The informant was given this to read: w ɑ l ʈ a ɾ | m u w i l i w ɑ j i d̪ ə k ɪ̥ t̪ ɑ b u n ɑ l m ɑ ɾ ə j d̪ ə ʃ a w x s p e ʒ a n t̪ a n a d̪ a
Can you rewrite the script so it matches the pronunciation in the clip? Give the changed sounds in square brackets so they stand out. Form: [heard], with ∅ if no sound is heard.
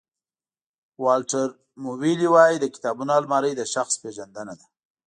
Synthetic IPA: w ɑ l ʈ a ɾ | m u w i l i w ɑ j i d̪ ə k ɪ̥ t̪ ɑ b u n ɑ l m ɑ ɾ ə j d̪ ə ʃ a [∅] x s p e ʒ a n [d̪] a n a d̪ a